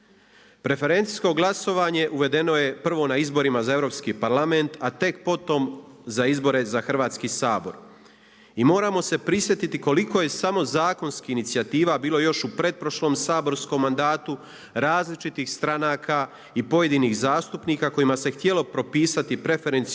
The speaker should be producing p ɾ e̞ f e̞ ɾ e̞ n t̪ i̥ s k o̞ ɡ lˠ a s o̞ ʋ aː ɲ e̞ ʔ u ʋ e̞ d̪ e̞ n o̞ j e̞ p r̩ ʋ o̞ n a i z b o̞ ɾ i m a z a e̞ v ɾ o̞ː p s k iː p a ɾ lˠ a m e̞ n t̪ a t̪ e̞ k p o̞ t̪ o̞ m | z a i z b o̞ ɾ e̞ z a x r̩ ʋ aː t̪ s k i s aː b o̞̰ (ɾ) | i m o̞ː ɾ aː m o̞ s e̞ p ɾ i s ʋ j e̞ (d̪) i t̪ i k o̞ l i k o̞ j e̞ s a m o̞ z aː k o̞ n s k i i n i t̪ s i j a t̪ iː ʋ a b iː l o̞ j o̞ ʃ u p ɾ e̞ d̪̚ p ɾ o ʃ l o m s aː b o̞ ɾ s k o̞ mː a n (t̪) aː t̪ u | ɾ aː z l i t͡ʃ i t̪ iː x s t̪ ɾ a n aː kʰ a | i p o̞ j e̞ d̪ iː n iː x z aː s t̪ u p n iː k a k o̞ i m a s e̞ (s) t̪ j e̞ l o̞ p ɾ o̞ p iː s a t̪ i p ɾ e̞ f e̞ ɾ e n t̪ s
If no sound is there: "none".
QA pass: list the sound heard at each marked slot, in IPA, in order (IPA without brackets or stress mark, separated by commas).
ɾ, t̪, d̪, x